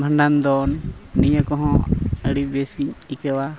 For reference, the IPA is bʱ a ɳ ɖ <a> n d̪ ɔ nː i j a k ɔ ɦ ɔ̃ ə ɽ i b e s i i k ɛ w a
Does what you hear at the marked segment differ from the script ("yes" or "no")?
no